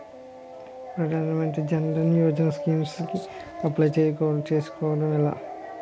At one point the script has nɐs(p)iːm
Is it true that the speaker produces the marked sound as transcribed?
no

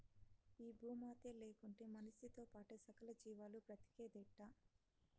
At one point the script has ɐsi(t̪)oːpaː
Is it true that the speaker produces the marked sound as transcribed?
yes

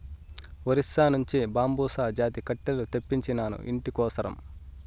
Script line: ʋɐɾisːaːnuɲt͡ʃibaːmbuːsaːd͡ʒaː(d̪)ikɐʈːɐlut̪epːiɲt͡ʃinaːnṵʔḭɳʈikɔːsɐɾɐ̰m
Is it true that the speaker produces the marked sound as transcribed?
no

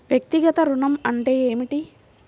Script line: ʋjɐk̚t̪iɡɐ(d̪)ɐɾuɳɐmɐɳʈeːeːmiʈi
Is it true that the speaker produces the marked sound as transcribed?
no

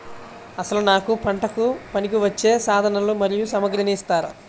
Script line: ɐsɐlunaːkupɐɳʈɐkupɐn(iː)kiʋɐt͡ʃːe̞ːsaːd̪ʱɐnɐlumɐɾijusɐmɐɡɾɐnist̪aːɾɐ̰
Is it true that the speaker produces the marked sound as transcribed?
no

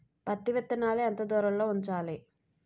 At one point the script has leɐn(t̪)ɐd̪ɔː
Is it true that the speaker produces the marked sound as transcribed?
yes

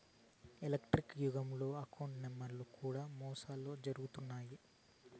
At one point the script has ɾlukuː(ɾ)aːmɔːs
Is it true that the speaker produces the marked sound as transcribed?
no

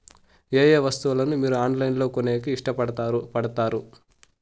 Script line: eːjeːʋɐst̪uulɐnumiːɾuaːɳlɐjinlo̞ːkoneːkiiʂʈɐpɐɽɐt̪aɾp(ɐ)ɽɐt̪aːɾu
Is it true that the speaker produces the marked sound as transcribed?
yes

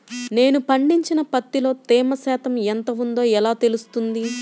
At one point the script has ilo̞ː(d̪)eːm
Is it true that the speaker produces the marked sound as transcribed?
no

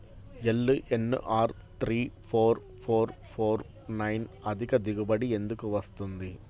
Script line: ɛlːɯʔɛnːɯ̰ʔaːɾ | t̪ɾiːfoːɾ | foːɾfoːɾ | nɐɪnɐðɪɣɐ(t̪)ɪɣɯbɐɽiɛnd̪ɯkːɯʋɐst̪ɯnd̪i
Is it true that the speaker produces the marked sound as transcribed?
no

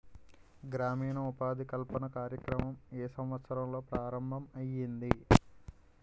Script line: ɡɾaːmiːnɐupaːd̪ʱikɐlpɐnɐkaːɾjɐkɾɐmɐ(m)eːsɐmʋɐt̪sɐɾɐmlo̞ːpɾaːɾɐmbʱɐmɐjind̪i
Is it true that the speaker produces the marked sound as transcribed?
yes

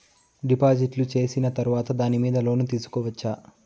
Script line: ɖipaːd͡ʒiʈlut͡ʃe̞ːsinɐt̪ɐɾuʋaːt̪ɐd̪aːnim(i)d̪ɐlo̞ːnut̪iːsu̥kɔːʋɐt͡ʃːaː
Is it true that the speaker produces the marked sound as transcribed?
no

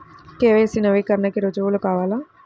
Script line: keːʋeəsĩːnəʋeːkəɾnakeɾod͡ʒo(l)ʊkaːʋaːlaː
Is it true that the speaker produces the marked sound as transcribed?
yes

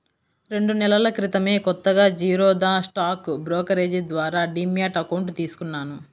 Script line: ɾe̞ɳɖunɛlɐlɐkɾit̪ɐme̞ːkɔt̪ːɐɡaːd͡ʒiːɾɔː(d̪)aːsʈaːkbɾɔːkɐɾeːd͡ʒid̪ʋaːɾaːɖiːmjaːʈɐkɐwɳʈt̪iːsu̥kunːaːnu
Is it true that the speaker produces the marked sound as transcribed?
yes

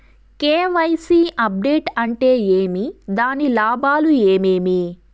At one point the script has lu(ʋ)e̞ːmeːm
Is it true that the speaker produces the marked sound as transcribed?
no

